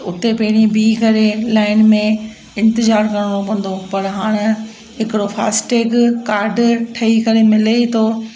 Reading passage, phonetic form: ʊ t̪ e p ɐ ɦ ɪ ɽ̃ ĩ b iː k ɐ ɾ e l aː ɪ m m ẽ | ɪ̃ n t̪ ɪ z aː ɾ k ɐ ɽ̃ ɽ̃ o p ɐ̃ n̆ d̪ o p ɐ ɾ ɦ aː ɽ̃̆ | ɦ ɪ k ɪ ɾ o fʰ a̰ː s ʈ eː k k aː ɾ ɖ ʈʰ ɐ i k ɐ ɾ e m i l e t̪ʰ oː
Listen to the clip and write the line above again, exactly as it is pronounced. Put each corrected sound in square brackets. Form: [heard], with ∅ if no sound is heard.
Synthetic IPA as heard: ʊ t̪ e p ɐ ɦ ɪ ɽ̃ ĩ b iː k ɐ ɾ e l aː ɪ [n] m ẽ | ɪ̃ n t̪ ɪ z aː ɾ k ɐ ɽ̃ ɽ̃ o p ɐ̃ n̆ d̪ o p ɐ ɾ ɦ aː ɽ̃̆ | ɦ ɪ k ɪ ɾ o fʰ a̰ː s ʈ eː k k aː ɾ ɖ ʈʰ ɐ i k ɐ ɾ e m [ɪ] l e t̪ʰ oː